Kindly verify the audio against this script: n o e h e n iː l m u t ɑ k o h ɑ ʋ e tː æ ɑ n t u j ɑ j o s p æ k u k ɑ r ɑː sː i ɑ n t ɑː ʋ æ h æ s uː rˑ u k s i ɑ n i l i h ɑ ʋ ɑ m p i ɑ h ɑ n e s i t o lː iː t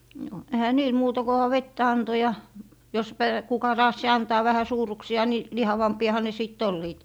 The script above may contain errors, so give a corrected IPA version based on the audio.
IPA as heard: n o e h æ n iː l m uː t ɑ k o h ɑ ʋ e tː æ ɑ n t o j ɑ j o s p æ k u k ɑ r ɑː sː i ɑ n t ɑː ʋ æ h æ s uː rˑ u k s i ɑ n i l i h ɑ ʋ ɑ m p i ɑ h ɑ n e s i t o lː iː t